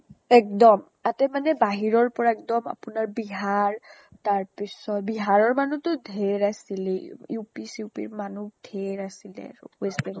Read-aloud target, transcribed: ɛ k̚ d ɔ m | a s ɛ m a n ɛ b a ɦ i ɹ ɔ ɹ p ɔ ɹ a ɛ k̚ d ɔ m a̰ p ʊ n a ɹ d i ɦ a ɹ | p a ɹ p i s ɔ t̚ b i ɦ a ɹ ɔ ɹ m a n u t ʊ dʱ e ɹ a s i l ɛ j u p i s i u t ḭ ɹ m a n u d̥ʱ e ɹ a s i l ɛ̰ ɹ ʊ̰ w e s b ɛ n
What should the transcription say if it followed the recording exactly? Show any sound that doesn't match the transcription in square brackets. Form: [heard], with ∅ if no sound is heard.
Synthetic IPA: ɛ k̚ d ɔ m | a [t] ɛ m a n ɛ b a ɦ i ɹ ɔ ɹ p ɔ ɹ a ɛ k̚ d ɔ m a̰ p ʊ n a ɹ [b] i ɦ a ɹ | [t] a ɹ p i s ɔ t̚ b i ɦ a ɹ ɔ ɹ m a n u t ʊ dʱ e ɹ a s i l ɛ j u p i s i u [p] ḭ ɹ m a n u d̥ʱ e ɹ a s i l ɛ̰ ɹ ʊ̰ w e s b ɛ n